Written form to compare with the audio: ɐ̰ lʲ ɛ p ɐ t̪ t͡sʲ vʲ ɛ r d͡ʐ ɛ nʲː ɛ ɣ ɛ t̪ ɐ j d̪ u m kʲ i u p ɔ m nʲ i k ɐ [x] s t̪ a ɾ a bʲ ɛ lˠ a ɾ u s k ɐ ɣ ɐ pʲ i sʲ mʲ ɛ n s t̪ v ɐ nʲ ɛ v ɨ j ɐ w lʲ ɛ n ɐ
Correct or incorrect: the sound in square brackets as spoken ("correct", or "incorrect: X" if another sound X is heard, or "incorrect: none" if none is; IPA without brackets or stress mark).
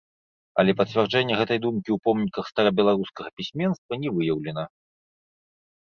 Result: correct